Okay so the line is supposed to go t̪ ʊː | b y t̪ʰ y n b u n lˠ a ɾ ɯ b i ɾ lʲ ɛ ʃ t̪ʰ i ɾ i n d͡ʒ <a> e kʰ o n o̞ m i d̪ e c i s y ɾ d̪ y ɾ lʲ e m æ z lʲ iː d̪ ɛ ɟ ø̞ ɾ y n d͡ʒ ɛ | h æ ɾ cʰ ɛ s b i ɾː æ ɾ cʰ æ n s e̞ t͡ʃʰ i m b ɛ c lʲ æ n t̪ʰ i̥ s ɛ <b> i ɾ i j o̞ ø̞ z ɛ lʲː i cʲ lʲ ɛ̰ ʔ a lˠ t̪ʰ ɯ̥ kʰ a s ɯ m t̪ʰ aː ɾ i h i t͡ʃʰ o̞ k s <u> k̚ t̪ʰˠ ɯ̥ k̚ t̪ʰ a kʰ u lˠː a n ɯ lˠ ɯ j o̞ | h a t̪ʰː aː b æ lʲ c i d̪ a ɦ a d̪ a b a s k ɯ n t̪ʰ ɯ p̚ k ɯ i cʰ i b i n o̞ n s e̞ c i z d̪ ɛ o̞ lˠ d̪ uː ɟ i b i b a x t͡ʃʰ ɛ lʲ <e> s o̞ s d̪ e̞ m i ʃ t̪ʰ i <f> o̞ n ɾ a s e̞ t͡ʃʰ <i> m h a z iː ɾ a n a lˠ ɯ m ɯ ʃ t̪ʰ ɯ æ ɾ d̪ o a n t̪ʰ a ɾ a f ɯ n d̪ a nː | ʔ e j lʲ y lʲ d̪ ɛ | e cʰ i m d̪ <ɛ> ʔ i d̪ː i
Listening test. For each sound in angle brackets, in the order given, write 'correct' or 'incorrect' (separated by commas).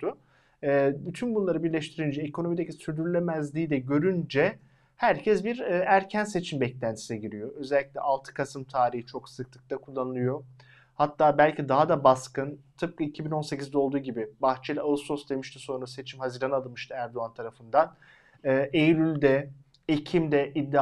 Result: incorrect, incorrect, incorrect, incorrect, incorrect, correct, correct